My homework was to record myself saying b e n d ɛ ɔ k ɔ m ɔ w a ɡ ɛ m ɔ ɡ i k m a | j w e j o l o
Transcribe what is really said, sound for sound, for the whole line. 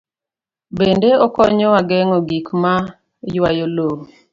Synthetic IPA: b e n d e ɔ k ɔ ɲ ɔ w a ɡ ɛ ŋ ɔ ɡ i k m a | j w a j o l o